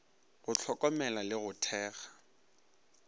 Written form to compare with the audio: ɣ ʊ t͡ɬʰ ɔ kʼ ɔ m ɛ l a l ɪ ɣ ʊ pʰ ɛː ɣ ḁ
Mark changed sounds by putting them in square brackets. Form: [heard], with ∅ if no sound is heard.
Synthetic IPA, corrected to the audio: ɣ ʊ t͡ɬʰ ɔ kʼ ɔ m ɛ l a l ɪ ɣ ʊ [tʰ] ɛː ɣ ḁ